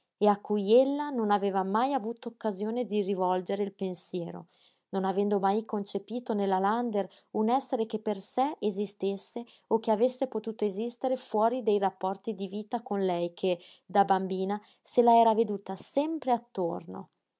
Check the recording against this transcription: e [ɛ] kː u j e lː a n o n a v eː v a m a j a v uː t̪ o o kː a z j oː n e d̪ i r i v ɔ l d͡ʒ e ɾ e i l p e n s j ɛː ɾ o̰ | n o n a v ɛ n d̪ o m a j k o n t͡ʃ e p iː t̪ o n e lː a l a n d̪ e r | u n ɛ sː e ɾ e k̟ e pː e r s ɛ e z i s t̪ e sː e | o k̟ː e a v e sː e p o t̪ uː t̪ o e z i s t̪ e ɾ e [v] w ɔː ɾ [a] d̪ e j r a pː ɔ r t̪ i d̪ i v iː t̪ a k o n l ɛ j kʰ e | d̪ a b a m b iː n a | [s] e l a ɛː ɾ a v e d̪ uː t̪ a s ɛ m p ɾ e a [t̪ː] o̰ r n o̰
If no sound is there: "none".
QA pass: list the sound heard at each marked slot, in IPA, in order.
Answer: a, f, i, s, t̪ː

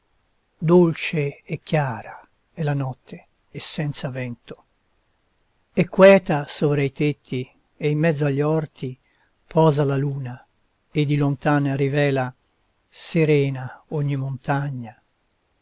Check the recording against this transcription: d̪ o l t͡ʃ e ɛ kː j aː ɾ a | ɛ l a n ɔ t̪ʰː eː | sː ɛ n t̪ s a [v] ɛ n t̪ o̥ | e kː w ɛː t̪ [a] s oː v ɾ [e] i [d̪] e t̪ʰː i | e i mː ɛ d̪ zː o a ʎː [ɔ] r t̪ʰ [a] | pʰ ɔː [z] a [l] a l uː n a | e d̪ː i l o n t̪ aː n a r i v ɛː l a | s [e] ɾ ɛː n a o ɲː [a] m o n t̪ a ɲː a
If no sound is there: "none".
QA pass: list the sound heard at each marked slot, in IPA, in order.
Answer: v, a, a, t̪, ɔ, i, z, l, e, i

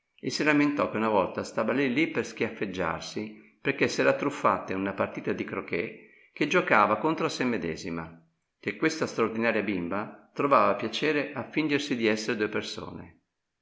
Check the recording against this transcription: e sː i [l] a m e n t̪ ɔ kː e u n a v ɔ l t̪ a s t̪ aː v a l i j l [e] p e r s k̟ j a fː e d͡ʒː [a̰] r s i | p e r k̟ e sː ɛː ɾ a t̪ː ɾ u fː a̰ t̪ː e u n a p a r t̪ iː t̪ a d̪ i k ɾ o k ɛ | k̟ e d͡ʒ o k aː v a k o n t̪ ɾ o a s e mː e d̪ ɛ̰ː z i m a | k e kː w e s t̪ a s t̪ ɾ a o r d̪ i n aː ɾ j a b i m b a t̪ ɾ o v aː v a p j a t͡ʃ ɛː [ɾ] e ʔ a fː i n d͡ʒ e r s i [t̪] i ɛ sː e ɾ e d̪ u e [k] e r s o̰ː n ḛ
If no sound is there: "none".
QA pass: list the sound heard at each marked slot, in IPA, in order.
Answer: l, i, a̰, ɾ, d̪, p

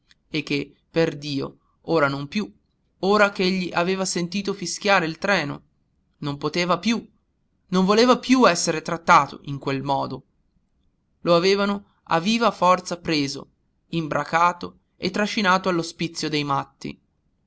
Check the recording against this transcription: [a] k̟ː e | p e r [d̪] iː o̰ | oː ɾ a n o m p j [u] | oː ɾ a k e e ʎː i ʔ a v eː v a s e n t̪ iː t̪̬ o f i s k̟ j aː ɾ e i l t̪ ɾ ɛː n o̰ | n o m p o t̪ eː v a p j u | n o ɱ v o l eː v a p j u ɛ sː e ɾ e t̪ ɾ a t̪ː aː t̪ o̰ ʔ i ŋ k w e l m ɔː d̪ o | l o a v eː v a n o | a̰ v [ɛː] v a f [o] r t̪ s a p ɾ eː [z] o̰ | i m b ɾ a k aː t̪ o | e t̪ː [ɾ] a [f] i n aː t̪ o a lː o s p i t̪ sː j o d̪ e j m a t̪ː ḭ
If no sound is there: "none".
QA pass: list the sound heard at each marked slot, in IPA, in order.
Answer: e, d̪, u, iː, ɔ, z, ɾ, ʃ

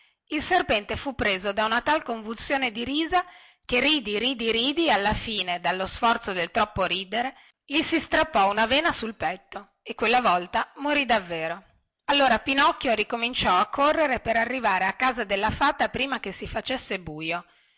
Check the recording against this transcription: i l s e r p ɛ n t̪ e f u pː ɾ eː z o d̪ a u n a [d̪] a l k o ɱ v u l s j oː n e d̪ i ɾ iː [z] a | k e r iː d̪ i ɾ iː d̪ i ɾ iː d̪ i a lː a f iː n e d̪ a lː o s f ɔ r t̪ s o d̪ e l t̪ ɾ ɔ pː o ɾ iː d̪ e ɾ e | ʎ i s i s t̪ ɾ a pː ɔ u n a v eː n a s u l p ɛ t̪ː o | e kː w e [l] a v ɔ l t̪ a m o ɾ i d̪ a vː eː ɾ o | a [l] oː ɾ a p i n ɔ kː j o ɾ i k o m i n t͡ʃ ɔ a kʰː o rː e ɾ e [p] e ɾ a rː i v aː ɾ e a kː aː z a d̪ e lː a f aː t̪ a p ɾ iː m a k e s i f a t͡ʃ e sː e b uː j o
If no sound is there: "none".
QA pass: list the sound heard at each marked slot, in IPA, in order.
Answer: t̪, z, lː, lː, p

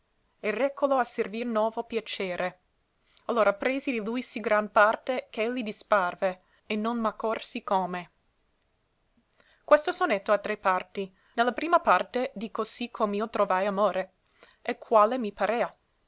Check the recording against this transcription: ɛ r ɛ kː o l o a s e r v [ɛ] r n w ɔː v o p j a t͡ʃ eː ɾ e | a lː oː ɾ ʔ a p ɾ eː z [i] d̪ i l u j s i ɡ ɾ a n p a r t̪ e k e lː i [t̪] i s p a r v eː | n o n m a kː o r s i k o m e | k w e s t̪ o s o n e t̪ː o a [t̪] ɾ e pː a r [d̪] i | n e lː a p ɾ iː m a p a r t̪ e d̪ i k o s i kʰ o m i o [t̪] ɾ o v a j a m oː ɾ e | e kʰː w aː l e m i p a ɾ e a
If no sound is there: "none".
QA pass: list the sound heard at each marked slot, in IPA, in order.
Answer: i, i, d̪, t̪, t̪, t̪

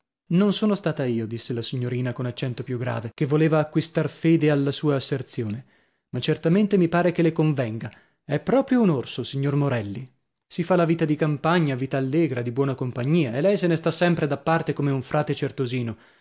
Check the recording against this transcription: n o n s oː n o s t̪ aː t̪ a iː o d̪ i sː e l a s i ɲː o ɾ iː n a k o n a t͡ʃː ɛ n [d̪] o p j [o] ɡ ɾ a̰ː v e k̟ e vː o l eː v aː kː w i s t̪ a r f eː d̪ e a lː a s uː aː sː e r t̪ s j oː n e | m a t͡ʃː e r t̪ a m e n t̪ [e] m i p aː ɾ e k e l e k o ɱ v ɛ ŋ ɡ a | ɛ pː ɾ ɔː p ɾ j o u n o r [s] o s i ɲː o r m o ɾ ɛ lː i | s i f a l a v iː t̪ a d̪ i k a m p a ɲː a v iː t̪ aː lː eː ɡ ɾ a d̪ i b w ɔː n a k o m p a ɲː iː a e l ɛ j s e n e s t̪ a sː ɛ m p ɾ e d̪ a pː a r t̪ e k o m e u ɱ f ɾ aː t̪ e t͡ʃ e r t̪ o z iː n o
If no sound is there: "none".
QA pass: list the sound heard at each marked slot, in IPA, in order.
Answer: t̪, u, e, s

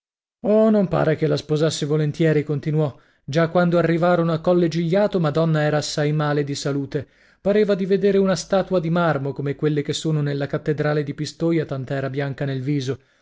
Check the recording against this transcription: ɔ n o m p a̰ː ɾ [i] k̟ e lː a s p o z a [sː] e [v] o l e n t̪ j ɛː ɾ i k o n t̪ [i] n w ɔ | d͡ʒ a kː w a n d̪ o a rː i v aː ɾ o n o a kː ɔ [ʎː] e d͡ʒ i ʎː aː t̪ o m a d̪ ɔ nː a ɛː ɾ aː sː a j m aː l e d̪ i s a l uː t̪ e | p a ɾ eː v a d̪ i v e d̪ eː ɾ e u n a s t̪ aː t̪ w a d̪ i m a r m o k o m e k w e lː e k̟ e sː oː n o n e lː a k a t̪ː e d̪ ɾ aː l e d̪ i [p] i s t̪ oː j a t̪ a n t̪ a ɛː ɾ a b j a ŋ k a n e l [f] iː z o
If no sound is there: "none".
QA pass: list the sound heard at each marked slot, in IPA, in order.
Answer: e, sː, v, i, lː, p, v

